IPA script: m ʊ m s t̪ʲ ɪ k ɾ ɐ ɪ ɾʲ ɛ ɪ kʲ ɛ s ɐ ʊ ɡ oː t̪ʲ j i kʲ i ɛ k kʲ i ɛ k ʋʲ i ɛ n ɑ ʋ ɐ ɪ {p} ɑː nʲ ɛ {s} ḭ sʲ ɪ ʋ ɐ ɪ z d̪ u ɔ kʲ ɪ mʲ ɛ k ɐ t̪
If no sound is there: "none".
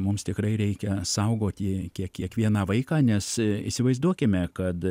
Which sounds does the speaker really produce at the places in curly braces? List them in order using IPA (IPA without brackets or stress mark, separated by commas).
k, s